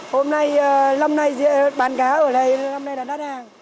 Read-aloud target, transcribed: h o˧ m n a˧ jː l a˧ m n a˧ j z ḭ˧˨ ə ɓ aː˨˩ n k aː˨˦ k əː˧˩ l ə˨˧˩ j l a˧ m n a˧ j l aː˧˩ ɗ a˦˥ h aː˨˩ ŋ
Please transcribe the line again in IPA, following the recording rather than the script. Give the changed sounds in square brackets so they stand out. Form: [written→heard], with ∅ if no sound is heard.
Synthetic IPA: h o˧ m n a˧ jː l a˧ m n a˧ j z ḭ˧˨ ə ɓ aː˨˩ n k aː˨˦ [k→ʔ] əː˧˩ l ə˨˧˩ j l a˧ m n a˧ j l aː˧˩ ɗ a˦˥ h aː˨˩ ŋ

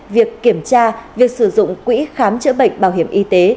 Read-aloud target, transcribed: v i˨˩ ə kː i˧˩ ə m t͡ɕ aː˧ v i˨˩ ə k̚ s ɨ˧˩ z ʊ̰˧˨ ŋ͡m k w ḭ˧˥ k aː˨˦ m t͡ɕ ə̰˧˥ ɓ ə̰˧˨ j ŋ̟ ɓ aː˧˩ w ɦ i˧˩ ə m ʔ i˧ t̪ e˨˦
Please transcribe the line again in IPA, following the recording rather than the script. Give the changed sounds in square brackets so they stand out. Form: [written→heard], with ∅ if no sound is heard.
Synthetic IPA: v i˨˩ ə kː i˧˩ ə m t͡ɕ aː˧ v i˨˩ ə k̚ s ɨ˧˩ z ʊ̰˧˨ ŋ͡m k w ḭ˧˥ [k→x] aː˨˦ m t͡ɕ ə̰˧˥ ɓ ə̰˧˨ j ŋ̟ ɓ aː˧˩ w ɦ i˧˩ ə m ʔ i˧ t̪ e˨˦

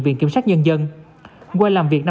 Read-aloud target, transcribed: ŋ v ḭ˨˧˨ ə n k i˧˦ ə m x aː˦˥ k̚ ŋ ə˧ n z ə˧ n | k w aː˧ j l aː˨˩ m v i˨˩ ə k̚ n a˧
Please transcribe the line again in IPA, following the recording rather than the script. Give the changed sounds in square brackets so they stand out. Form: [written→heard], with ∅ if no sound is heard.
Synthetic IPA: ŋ v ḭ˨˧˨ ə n k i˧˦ ə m [x→s] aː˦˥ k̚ [ŋ→ɲ] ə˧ n z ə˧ n | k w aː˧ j l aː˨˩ m v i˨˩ ə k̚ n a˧

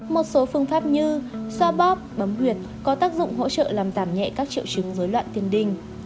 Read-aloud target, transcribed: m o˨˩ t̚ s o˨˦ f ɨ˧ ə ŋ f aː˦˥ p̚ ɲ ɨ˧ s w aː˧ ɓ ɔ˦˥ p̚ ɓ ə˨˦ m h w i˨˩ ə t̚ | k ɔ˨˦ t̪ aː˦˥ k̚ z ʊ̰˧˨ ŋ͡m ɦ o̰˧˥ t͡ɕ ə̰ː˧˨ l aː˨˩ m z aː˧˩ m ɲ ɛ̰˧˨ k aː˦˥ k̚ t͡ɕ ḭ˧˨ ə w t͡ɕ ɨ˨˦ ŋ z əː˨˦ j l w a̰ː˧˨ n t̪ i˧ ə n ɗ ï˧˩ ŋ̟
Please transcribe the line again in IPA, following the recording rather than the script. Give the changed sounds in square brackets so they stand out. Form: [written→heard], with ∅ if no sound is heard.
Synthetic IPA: m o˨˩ t̚ s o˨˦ f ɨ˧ ə ŋ f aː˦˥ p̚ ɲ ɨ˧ s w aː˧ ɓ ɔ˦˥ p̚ ɓ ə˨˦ m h w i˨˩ ə t̚ | k ɔ˨˦ t̪ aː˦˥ k̚ z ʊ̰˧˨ ŋ͡m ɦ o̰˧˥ t͡ɕ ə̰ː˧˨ l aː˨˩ m z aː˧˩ m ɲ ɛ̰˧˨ k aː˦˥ k̚ t͡ɕ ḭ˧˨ ə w t͡ɕ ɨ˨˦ ŋ z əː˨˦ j l w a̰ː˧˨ n t̪ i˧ ə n ɗ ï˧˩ ŋ̟

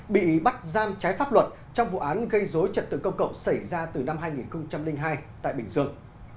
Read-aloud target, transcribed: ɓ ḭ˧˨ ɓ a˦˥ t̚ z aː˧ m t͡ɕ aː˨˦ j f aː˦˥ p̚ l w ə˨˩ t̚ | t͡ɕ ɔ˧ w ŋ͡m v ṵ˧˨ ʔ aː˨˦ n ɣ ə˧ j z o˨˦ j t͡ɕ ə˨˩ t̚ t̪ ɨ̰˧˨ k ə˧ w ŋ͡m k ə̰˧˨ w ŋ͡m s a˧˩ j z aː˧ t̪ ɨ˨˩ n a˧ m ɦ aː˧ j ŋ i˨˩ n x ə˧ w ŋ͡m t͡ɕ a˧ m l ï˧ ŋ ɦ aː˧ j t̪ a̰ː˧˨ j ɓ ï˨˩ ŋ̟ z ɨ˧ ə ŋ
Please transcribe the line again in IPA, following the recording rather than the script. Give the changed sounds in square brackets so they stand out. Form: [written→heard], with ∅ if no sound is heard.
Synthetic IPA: ɓ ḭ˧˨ ɓ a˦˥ t̚ z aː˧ m t͡ɕ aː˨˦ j f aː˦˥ p̚ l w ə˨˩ t̚ | t͡ɕ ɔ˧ w ŋ͡m v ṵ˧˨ ʔ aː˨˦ n ɣ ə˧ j z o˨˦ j t͡ɕ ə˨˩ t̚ t̪ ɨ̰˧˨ k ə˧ w ŋ͡m k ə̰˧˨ w ŋ͡m s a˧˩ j z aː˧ t̪ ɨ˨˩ n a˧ m ɦ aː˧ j ŋ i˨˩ n x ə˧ w ŋ͡m t͡ɕ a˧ m l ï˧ ŋ ɦ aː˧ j t̪ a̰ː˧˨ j ɓ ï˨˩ ŋ̟ z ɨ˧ ə ŋ

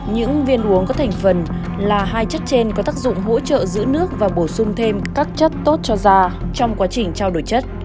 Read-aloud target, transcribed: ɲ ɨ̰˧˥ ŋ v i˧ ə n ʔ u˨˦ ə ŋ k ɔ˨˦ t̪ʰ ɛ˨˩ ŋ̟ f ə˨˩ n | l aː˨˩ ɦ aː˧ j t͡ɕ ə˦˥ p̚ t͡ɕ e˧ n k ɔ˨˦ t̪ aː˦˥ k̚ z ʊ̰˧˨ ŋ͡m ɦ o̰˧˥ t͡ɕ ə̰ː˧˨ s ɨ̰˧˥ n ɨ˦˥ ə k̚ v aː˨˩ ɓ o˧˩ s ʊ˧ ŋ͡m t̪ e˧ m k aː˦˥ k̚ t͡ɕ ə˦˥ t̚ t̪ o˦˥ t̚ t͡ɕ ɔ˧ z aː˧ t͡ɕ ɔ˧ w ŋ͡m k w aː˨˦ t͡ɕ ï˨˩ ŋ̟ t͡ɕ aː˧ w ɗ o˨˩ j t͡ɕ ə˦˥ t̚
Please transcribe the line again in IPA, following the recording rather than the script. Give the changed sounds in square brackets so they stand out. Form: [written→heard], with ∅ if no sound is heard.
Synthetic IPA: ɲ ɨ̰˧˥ ŋ v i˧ ə n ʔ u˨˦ ə ŋ k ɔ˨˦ t̪ʰ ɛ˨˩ ŋ̟ f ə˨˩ n | l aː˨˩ ɦ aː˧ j t͡ɕ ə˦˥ [p̚→t̚] t͡ɕ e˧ n k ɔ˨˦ t̪ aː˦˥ k̚ z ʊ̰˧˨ ŋ͡m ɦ o̰˧˥ t͡ɕ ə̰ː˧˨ [s→z] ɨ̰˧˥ n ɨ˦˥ ə k̚ v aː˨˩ ɓ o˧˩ s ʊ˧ ŋ͡m [t̪→t̪ʰ] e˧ m k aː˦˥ k̚ t͡ɕ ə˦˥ t̚ t̪ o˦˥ t̚ t͡ɕ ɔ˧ z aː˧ t͡ɕ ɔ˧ w ŋ͡m k w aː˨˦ t͡ɕ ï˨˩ ŋ̟ t͡ɕ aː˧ w ɗ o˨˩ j t͡ɕ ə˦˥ t̚

